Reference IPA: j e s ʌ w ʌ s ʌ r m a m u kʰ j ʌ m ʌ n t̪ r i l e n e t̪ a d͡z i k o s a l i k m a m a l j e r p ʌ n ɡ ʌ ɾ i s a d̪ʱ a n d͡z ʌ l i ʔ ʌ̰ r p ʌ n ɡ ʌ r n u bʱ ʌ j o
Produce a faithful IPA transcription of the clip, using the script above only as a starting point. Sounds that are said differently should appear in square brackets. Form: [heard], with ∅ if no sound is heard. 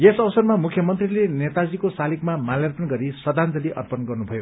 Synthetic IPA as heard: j e s ʌ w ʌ s ʌ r m a m u kʰ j ʌ m ʌ n t̪ r i l e n e t̪ a d͡z i k o s a l i k m a m a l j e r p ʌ n ɡ ʌ ɾ i s [ʌ] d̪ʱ a n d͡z ʌ l i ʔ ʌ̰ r p ʌ n ɡ ʌ r n u bʱ ʌ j o

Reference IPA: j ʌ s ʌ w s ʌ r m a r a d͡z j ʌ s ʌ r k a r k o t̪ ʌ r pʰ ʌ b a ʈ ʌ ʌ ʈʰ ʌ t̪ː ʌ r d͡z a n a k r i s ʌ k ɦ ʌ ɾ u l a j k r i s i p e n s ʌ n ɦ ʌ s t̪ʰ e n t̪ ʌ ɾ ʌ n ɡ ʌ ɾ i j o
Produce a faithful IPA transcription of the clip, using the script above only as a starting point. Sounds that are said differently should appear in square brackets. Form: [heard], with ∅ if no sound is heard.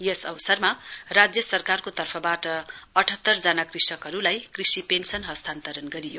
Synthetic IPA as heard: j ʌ s ʌ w s ʌ r m a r a d͡z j ʌ s ʌ r k a r k o t̪ ʌ r pʰ ʌ b a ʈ ʌ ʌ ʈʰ ʌ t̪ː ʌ r d͡z a n a k r i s ʌ k ɦ ʌ ɾ u l a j k r i s i p e n s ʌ n ɦ ʌ s t̪ʰ [a] n t̪ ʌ ɾ ʌ n ɡ ʌ ɾ i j o

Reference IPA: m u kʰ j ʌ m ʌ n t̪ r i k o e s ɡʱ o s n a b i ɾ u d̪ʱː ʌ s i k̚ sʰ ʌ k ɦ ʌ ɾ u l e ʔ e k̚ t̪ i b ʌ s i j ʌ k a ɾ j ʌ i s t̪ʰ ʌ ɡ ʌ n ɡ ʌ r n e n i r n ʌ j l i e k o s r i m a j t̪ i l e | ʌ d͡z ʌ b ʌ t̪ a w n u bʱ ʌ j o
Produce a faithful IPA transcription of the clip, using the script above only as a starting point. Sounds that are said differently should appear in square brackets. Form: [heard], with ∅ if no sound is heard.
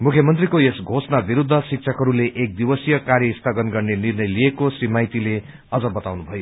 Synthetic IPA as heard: m u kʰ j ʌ m ʌ n t̪ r i k o e s ɡʱ o s n a b i ɾ u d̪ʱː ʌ s i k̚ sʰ ʌ k ɦ ʌ ɾ u l e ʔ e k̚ [d̪] i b ʌ s i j ʌ k a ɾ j ʌ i s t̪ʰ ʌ ɡ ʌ n ɡ ʌ r n e n i r n ʌ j l i e k o s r i m a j t̪ i l e | ʌ d͡z ʌ b ʌ t̪ a w n u bʱ ʌ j o

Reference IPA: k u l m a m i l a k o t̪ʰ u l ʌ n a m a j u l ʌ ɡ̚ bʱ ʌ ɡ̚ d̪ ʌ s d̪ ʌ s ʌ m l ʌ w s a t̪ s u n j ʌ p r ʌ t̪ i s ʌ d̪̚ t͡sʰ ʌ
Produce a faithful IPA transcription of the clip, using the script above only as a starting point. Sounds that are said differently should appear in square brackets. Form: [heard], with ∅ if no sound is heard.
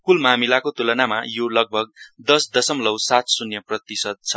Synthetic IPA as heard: k u l m a m i l a k o [t̪] u l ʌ n a m a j [o] l ʌ ɡ̚ bʱ ʌ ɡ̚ d̪ ʌ s d̪ ʌ s ʌ m l ʌ w s a t̪ s u n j ʌ p r ʌ t̪ i s ʌ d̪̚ t͡sʰ ʌ

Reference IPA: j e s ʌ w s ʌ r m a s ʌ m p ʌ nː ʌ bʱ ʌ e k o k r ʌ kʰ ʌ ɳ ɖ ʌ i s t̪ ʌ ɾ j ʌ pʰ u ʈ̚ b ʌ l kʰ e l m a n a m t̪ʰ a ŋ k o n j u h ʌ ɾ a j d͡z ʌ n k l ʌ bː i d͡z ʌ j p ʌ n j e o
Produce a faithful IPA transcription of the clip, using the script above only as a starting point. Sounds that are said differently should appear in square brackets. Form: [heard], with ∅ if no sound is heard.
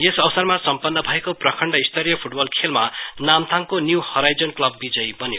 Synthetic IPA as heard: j e s ʌ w s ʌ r m a s ʌ m p ʌ nː ʌ bʱ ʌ e k o [p] r ʌ kʰ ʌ ɳ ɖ ʌ i s t̪ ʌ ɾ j ʌ pʰ u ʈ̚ b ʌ l kʰ e l m a n a m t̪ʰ a ŋ k o n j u h ʌ ɾ a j d͡z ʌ n k l ʌ bː i d͡z ʌ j [b] ʌ n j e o

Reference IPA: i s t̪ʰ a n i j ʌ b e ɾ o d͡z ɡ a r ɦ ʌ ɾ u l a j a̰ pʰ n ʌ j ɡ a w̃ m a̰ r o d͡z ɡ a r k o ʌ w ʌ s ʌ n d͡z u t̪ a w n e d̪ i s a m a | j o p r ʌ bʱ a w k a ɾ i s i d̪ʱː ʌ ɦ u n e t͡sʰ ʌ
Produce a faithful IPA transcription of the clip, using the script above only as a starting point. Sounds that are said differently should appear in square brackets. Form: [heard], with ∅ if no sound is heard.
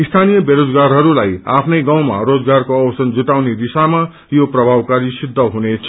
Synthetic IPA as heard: i s t̪ʰ a n i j ʌ b e ɾ o d͡z ɡ a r ɦ ʌ ɾ u l a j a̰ pʰ n ʌ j ɡ a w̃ m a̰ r o d͡z ɡ a r k o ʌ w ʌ s ʌ n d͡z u t̪ a w n e d̪ i s a m a | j o p r ʌ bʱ a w k a ɾ i s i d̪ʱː ʌ ɦ u n e t͡sʰ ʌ

